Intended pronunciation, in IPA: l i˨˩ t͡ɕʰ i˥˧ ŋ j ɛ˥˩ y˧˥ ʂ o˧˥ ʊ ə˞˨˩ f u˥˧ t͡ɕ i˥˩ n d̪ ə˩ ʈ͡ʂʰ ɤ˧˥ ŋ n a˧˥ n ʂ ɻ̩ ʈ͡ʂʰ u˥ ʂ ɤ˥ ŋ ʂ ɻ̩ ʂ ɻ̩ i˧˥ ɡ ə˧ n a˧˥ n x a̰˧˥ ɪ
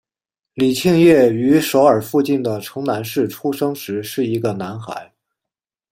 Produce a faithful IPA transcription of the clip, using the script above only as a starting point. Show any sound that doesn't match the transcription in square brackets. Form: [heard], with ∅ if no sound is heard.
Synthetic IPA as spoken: l i˨˩ t͡ɕʰ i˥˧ ŋ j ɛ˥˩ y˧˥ ʂ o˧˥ ʊ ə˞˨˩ f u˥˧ t͡ɕ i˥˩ n d̪ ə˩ ʈ͡ʂʰ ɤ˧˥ ŋ n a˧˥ n ʂ ɻ̩ ʈ͡ʂʰ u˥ ʂ ɤ˥ ŋ ʂ ɻ̩ ʂ ɻ̩ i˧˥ ɡ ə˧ n a˧˥ n x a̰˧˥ ɪ